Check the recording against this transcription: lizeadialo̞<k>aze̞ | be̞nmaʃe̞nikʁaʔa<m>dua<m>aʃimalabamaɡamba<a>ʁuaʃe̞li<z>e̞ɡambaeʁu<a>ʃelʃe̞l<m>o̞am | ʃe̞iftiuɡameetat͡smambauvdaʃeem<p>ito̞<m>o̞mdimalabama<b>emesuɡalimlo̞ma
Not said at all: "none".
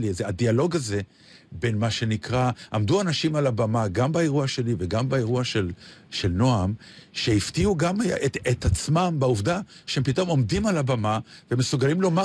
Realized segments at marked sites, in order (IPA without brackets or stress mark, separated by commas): ɡ, m, n, e, v, a, n, p, m, v